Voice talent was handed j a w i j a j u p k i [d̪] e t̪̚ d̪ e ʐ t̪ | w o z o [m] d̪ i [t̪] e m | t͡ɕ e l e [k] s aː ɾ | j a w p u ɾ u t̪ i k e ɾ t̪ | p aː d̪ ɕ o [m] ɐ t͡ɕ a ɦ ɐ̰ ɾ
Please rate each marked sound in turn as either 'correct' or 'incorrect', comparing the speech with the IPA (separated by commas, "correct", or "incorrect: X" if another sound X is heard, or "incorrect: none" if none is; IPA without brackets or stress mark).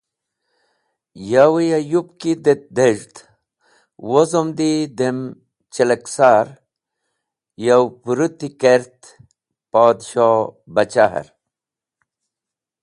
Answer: correct, correct, incorrect: d̪, correct, incorrect: b